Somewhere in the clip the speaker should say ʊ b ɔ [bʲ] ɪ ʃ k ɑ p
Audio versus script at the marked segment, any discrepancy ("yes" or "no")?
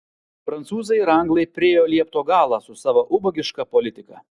yes